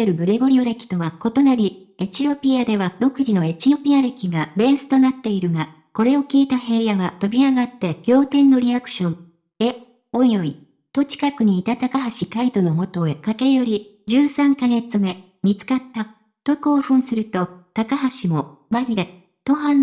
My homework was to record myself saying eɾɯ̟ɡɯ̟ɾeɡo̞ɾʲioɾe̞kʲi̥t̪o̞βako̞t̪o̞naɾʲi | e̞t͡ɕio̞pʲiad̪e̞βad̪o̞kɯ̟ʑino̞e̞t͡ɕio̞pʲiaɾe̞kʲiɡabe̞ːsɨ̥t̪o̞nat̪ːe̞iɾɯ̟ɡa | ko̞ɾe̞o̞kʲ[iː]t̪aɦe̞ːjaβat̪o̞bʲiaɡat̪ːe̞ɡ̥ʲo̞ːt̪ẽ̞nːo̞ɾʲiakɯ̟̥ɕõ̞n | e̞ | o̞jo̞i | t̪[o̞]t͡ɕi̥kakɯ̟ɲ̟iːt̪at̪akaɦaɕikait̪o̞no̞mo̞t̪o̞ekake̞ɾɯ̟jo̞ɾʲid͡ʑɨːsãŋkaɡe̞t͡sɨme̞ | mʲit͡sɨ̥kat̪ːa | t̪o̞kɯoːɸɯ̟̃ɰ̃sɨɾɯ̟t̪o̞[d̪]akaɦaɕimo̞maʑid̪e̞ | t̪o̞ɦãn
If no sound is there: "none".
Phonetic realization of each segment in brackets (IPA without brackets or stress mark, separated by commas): iː, o̞, t̪